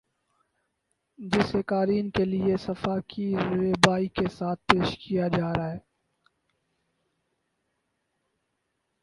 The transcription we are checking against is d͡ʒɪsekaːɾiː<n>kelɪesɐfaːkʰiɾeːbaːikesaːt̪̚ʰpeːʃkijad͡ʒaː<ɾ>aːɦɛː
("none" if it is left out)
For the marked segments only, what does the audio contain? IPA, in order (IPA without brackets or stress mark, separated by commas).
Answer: n, ɾ